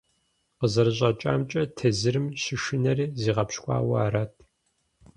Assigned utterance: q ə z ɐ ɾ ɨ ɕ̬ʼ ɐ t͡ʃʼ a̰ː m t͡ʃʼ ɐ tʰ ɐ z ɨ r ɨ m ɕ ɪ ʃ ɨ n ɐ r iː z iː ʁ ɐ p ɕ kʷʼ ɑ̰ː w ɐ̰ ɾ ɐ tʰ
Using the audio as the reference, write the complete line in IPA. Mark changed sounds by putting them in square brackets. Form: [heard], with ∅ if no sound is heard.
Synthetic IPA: q ə z ɐ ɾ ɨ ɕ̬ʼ ɐ t͡ʃʼ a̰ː m t͡ʃʼ ɐ tʰ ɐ z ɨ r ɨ m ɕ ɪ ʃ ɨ n ɐ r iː z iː ʁ ɐ p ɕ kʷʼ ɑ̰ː w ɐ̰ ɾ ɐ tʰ